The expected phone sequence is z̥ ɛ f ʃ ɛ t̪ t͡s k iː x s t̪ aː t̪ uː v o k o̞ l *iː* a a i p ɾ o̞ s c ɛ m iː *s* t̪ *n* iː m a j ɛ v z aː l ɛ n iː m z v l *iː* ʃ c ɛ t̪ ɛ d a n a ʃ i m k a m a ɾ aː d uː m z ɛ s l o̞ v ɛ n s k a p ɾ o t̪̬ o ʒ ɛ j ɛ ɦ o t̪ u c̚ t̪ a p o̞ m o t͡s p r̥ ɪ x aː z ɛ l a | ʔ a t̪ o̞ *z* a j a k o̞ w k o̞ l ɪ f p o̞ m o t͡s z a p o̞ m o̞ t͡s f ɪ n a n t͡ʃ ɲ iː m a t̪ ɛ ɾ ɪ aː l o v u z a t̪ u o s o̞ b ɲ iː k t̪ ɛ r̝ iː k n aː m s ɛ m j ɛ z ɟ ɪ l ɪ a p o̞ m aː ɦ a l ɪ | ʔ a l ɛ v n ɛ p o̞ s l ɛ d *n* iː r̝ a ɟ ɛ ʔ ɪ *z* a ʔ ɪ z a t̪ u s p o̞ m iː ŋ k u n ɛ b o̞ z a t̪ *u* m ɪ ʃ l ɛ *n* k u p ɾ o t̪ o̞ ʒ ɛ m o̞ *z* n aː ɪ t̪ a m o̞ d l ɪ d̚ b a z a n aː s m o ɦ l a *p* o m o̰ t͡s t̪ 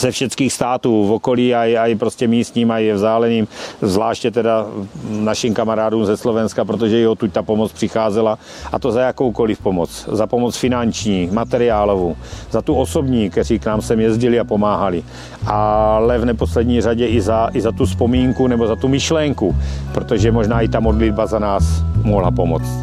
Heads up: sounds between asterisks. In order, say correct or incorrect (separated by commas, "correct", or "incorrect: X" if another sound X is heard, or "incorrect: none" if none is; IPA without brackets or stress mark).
correct, correct, incorrect: ɲ, incorrect: aː, correct, incorrect: ɲ, correct, correct, incorrect: ŋ, incorrect: ʒ, correct